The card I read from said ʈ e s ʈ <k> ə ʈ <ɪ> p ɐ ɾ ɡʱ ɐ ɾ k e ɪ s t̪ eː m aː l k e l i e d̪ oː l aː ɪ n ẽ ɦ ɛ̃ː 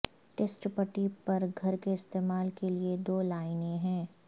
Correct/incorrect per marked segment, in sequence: incorrect, incorrect

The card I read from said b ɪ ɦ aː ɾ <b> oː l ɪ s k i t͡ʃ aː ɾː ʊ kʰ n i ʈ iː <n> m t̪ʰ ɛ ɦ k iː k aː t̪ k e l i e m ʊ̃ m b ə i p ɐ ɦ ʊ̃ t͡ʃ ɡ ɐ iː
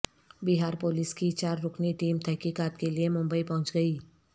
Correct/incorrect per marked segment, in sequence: incorrect, incorrect

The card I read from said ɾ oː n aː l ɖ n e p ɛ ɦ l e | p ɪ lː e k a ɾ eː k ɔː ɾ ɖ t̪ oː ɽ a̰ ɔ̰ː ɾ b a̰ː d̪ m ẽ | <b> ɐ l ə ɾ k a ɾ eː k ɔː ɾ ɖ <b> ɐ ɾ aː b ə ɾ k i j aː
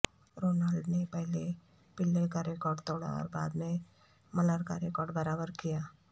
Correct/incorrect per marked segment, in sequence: incorrect, correct

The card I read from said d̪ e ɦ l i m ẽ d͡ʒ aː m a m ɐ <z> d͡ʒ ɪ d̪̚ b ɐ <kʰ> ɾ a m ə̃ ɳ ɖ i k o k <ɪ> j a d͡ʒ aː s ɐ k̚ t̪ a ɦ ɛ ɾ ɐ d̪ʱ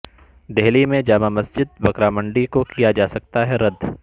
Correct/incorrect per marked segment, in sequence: incorrect, incorrect, incorrect

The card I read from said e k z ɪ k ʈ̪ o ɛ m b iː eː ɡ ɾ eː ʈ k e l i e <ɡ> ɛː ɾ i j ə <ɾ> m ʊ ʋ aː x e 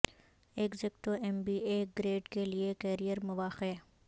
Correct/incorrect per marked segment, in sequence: incorrect, correct

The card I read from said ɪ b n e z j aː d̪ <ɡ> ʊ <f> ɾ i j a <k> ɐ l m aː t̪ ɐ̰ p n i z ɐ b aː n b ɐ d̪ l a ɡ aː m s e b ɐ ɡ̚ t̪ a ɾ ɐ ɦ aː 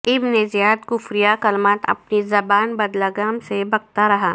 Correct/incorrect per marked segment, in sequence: incorrect, correct, correct

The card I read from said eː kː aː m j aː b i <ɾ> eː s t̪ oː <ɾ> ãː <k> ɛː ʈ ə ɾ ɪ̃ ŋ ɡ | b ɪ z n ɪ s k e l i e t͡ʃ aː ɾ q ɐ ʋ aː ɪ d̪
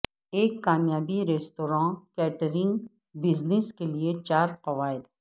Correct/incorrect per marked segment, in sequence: correct, correct, correct

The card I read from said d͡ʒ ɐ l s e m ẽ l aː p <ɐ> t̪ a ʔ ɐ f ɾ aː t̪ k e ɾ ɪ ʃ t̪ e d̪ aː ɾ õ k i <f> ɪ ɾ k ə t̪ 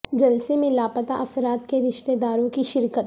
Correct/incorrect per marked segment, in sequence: incorrect, incorrect

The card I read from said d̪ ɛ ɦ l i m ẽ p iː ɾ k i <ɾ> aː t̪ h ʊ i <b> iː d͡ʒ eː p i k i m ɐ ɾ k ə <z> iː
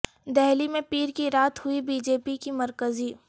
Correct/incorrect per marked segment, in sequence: correct, correct, correct

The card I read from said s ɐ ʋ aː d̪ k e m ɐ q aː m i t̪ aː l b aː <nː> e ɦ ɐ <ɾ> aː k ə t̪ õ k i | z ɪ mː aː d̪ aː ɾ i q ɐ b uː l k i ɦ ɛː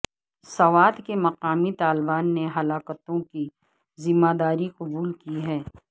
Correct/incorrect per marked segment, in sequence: correct, incorrect

